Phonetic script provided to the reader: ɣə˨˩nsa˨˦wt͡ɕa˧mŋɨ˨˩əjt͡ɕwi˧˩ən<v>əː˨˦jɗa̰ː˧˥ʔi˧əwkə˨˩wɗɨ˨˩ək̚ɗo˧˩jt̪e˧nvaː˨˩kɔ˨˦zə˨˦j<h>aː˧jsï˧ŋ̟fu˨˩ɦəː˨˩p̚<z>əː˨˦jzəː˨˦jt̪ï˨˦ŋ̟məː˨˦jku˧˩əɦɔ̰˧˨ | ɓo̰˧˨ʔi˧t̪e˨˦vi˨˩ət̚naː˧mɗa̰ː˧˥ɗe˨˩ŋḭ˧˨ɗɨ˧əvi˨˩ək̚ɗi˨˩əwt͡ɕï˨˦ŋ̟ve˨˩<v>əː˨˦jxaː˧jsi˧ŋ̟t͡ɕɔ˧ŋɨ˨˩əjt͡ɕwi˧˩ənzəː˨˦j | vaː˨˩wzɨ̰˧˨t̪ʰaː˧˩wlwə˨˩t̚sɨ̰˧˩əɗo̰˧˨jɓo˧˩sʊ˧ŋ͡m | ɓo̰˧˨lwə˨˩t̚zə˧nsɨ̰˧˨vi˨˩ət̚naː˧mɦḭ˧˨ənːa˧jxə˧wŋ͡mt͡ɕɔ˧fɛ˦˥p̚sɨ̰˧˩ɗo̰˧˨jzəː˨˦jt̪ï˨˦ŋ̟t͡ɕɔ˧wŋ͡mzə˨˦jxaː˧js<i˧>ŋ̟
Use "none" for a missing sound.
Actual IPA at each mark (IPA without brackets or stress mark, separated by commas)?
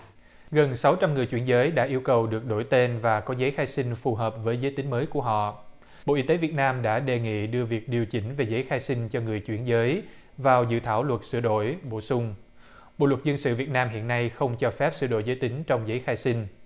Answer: z, x, v, z, i˧